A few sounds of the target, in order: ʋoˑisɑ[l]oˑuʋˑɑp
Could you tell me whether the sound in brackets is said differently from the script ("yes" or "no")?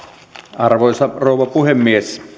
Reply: yes